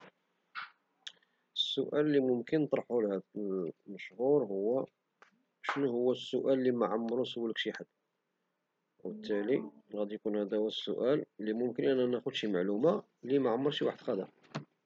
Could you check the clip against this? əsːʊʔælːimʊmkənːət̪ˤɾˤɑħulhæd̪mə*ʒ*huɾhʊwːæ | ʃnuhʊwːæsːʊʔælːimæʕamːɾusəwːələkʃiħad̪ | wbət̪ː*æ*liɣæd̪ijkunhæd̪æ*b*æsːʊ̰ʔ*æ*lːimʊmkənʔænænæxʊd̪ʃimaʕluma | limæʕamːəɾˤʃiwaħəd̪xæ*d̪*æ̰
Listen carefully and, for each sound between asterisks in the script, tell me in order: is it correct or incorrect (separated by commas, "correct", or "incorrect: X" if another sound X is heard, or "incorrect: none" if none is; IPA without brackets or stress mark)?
incorrect: ʃ, correct, incorrect: w, correct, correct